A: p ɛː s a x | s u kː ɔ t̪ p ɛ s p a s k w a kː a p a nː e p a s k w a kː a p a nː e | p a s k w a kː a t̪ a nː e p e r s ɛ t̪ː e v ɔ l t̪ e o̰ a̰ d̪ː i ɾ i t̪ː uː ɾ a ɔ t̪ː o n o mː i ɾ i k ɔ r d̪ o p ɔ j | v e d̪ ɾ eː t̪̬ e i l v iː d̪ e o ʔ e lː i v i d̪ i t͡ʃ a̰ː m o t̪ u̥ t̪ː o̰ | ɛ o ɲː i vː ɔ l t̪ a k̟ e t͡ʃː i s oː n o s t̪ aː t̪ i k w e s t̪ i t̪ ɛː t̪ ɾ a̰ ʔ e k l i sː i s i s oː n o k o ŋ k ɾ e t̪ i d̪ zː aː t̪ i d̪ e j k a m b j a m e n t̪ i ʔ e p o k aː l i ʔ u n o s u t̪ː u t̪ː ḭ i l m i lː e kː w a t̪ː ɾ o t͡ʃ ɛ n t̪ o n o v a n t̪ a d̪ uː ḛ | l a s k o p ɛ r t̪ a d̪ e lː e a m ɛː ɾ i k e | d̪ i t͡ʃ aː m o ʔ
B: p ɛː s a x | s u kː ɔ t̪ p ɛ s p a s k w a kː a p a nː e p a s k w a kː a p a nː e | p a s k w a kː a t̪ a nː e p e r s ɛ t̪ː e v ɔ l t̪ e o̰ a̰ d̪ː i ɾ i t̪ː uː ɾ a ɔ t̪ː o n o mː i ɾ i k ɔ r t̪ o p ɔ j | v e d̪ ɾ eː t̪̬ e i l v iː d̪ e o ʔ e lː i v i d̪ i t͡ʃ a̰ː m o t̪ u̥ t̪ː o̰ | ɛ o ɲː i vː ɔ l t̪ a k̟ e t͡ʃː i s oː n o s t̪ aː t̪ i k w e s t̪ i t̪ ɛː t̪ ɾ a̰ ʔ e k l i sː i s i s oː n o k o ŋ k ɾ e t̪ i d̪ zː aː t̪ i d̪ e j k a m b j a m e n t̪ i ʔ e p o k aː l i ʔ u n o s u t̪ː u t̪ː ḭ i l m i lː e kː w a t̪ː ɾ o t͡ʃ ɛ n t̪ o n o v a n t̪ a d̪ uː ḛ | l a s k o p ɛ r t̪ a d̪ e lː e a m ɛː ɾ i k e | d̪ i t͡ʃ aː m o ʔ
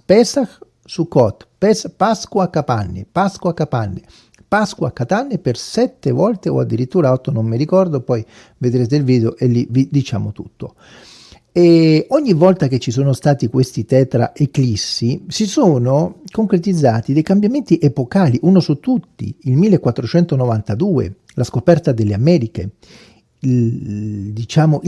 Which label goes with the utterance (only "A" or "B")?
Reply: A